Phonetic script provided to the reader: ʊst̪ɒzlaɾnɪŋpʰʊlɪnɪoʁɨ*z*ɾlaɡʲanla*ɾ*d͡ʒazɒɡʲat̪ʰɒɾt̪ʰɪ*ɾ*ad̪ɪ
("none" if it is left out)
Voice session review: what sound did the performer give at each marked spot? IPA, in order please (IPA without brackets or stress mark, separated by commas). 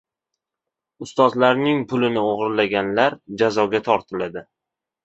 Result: none, ɾ, l